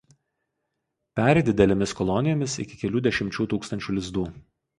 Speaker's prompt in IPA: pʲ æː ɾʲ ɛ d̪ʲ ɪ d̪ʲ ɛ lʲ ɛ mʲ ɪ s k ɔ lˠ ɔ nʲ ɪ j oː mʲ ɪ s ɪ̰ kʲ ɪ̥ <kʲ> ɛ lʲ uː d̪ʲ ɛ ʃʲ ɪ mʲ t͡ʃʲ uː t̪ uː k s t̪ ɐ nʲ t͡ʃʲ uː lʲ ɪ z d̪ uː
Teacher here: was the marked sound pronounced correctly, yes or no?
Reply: yes